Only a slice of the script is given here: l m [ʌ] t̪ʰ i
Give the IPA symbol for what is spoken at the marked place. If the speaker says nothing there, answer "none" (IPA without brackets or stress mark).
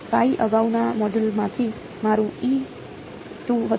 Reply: a